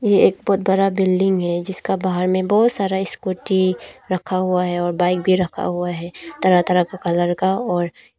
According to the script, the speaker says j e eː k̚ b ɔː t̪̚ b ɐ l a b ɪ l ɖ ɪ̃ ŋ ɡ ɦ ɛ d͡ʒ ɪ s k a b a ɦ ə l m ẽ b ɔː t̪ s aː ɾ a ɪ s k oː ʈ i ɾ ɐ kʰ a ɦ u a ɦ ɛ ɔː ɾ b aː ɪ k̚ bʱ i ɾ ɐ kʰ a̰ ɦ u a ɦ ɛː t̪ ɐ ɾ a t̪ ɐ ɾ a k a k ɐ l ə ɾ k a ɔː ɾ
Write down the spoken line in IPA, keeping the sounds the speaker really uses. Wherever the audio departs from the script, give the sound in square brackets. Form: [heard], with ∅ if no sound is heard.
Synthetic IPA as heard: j e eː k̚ b ɔː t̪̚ b ɐ [ɾ] a b ɪ l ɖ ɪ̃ ŋ ɡ ɦ ɛ d͡ʒ ɪ s k a b a ɦ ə [ɾ] m ẽ b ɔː t̪ s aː ɾ a ɪ s k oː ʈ i ɾ ɐ kʰ a ɦ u a ɦ ɛ ɔː ɾ b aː ɪ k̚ bʱ i ɾ ɐ kʰ a̰ ɦ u a ɦ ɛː t̪ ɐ ɾ a t̪ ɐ ɾ a k a k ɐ l ə ɾ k a ɔː ɾ